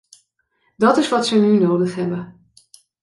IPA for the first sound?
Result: d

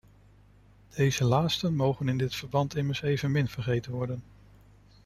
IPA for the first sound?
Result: d̥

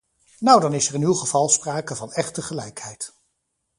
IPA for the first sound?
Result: n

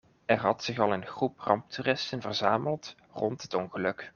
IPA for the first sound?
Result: ɛ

